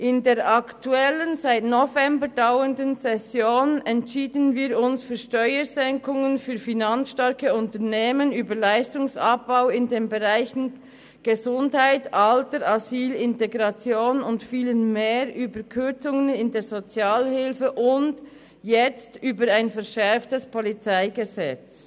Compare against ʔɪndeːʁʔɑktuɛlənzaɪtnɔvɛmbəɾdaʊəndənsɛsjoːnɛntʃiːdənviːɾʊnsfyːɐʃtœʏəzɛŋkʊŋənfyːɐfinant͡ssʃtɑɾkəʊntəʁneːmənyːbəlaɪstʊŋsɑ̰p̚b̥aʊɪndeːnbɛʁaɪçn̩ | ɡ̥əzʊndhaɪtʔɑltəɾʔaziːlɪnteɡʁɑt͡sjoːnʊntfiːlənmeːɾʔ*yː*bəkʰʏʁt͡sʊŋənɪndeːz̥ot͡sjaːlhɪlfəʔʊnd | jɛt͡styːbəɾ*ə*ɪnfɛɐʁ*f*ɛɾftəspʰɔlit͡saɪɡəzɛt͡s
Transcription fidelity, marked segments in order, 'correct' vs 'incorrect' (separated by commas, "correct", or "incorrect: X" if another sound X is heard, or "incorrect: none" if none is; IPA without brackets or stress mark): correct, incorrect: a, incorrect: ʃ